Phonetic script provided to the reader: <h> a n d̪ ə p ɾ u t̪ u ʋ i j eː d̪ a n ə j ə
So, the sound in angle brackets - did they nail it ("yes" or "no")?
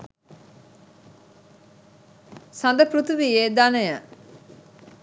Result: no